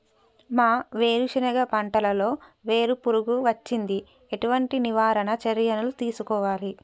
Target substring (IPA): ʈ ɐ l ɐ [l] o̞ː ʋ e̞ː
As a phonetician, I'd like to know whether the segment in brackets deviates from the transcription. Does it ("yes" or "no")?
no